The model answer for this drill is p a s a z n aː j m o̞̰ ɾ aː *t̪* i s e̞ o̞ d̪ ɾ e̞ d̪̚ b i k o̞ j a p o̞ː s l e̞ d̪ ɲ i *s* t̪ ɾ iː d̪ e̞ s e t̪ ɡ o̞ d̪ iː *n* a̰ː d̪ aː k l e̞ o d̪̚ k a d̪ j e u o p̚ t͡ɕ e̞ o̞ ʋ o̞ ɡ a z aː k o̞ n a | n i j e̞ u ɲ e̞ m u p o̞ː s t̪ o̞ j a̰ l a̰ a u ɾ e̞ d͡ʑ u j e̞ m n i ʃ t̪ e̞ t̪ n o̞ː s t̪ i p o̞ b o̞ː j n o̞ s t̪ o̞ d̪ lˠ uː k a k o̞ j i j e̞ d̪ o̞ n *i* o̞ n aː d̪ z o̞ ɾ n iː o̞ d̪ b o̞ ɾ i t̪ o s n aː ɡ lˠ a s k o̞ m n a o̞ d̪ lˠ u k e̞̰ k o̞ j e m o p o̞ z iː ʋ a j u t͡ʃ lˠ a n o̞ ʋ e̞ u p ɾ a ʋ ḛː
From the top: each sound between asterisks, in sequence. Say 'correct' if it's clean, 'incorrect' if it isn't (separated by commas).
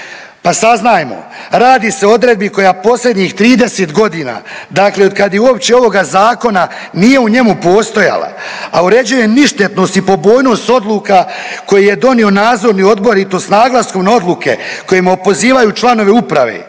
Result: incorrect, incorrect, correct, correct